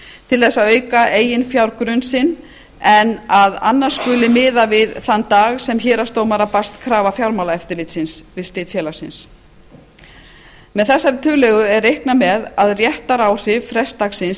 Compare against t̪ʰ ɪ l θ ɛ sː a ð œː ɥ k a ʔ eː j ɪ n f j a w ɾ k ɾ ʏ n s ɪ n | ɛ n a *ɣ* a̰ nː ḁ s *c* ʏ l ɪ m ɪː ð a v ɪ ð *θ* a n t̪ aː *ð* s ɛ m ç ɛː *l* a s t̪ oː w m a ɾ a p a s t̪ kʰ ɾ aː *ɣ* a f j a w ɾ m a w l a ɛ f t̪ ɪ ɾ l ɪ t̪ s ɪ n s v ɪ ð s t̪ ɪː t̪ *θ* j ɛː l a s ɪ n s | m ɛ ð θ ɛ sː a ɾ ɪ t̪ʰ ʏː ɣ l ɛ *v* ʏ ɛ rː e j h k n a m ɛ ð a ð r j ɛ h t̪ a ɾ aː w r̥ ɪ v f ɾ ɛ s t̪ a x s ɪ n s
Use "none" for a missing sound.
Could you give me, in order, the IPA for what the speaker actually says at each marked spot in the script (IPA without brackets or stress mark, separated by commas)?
ð, k, θ, ɣ, ɾ, v, f, ɣ